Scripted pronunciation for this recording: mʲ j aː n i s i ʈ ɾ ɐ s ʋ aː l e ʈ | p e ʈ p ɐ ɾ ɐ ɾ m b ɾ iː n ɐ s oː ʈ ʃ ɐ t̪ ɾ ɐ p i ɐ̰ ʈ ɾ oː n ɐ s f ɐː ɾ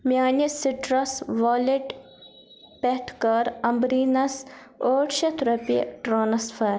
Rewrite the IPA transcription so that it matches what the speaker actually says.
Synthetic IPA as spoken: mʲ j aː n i s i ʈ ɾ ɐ s ʋ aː l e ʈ | p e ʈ k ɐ ɾ ɐ m b ɾ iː n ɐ s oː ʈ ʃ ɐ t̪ ɾ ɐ p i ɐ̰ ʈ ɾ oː n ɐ s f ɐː ɾ